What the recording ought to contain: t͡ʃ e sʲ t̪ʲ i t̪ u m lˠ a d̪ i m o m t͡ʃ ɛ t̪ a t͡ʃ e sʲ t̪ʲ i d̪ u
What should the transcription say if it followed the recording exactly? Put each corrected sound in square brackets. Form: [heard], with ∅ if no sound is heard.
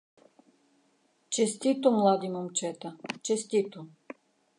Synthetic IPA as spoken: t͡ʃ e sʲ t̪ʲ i t̪ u m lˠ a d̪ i m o m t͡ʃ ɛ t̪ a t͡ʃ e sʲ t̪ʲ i [t̪] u